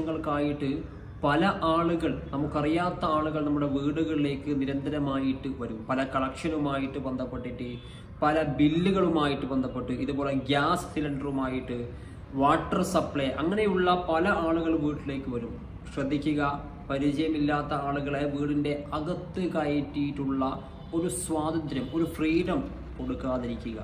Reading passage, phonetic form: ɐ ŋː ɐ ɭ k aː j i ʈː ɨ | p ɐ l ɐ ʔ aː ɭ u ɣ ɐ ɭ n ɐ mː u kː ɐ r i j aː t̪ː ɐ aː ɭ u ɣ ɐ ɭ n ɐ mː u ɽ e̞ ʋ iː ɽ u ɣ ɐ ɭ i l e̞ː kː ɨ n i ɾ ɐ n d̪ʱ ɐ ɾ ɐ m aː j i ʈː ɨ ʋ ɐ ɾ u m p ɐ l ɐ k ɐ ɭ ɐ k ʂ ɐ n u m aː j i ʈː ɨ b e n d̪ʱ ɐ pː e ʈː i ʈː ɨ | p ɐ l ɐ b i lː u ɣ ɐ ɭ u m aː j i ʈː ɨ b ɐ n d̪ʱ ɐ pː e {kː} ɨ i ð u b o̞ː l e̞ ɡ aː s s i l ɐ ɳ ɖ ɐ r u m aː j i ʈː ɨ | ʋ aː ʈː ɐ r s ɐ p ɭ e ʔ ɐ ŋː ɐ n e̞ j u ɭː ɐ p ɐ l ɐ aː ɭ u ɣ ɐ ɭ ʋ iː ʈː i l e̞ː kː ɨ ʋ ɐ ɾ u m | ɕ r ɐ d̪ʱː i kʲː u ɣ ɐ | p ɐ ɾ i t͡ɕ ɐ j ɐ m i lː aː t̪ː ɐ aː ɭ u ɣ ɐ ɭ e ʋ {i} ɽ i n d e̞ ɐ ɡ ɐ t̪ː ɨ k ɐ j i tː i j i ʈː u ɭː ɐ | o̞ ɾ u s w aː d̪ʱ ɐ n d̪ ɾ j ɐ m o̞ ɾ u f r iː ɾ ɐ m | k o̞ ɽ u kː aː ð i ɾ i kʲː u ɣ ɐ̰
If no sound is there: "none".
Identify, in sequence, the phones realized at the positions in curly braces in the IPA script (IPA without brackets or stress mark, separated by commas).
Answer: ʈː, iː